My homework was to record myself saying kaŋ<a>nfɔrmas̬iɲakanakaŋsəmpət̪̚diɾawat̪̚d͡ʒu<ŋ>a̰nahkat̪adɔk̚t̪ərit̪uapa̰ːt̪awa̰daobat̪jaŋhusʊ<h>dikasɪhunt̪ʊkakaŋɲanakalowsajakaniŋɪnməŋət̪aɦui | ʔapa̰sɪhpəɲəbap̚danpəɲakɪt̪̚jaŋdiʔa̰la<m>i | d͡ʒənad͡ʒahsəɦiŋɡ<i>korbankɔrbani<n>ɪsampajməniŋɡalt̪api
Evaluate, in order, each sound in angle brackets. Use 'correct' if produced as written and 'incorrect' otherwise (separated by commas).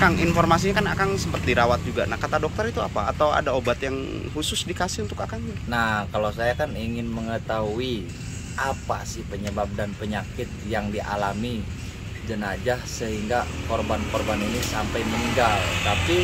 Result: incorrect, incorrect, incorrect, correct, incorrect, correct